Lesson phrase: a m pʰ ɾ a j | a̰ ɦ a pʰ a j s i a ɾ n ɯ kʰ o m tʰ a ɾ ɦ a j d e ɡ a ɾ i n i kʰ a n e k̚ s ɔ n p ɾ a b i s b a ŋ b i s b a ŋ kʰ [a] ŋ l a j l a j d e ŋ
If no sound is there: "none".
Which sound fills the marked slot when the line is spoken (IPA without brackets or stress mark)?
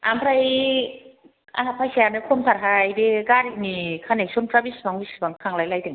a